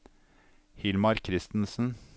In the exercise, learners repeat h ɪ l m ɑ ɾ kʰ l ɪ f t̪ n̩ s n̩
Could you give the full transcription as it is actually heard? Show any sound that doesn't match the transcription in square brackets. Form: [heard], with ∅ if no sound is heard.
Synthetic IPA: h ɪ l m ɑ ɾ kʰ [ɾ] ɪ [s] t̪ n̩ s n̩